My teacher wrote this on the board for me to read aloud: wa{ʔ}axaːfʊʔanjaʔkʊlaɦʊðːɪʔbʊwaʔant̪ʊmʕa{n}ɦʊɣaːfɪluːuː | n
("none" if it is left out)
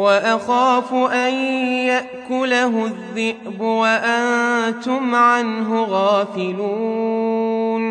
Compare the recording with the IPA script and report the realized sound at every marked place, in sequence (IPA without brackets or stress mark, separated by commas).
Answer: ʔ, n